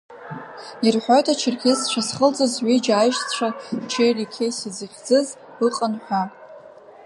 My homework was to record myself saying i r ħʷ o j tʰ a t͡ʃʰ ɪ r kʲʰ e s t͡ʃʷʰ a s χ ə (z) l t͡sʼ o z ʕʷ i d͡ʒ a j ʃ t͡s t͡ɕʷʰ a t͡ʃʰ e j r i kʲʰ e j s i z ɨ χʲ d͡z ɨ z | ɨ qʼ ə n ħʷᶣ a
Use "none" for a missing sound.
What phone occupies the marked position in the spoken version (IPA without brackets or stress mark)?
none